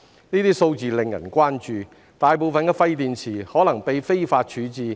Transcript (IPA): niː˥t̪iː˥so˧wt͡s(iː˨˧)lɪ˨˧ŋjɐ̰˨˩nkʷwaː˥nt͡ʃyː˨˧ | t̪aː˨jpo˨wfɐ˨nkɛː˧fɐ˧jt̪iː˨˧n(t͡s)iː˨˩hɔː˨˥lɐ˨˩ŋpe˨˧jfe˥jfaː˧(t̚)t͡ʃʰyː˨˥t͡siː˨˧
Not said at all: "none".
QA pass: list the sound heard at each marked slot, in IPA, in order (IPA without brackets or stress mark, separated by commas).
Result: iː˨˧, t͡sʰ, t̚